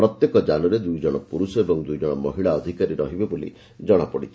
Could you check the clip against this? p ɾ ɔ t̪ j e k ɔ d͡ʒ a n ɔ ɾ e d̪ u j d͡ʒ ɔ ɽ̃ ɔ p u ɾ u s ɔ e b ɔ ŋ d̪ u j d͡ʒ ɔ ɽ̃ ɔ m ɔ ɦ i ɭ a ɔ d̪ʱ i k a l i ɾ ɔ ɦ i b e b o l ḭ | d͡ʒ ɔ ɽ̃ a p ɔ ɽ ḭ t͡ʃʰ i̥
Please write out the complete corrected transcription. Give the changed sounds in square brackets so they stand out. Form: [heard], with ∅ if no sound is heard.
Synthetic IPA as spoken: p ɾ ɔ t̪ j e k ɔ d͡ʒ a n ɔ ɾ e d̪ u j d͡ʒ ɔ ɽ̃ ɔ p u ɾ u s ɔ e b ɔ ŋ d̪ u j d͡ʒ ɔ ɽ̃ ɔ m ɔ ɦ i ɭ a ɔ d̪ʱ i k a [ɾ] i ɾ ɔ ɦ i b e b o l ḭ | d͡ʒ ɔ ɽ̃ a p ɔ ɽ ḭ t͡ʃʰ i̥